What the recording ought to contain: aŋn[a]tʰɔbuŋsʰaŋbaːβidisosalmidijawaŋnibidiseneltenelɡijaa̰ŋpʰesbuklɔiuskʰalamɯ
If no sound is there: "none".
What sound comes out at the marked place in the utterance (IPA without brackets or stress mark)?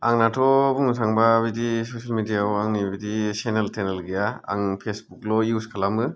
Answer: a